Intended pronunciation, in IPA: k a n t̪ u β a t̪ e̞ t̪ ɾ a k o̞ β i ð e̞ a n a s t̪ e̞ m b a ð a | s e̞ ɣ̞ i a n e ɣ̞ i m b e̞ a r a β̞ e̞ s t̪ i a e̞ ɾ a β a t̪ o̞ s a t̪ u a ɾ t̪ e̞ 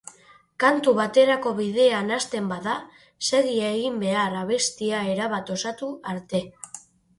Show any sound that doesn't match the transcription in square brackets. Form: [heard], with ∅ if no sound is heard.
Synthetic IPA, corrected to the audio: k a n t̪ u β a t̪ e̞ [∅] ɾ a k o̞ β i ð e̞ a n a s t̪ e̞ m b a ð a | s e̞ ɣ̞ i a [∅] e ɣ̞ i m b e̞ a r a β̞ e̞ s t̪ i a e̞ ɾ a β a t̪ o̞ s a t̪ u a ɾ t̪ e̞